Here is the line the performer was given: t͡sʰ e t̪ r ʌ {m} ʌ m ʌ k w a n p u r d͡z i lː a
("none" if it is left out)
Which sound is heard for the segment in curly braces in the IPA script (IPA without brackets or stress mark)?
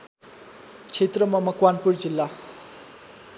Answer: m